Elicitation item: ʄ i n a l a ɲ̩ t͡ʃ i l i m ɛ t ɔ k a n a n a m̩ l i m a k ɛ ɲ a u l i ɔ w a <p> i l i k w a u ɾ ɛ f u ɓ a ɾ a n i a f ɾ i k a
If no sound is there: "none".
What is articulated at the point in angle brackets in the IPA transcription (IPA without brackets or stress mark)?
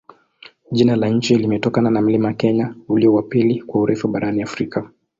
p